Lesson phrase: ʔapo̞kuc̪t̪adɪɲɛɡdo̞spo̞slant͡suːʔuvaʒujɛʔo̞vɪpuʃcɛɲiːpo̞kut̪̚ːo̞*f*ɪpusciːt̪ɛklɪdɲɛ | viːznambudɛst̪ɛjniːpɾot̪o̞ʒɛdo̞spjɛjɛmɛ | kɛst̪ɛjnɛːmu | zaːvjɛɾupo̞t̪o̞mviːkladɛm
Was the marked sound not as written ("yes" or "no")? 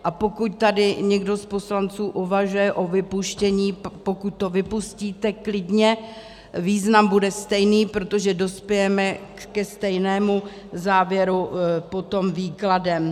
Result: yes